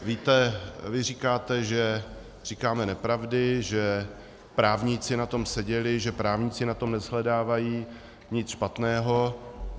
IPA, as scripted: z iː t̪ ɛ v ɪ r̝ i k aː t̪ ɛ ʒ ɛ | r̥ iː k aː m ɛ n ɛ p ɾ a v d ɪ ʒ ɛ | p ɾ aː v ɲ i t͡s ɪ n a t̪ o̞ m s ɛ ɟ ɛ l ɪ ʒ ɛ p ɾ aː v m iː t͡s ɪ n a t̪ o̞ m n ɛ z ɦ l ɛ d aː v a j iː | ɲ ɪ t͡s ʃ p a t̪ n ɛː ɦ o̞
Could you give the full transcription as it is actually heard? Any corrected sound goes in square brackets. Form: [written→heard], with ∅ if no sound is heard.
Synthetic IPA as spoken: [z→v] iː t̪ ɛ v ɪ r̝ i k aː t̪ ɛ ʒ ɛ | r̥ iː k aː m ɛ n ɛ p ɾ a v d ɪ ʒ ɛ | p ɾ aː v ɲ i t͡s ɪ n a t̪ o̞ m s ɛ ɟ ɛ l ɪ ʒ ɛ p ɾ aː v [m→ɲ] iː t͡s ɪ n a t̪ o̞ m n ɛ z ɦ l ɛ d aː v a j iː | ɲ ɪ t͡s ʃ p a t̪ n ɛː ɦ o̞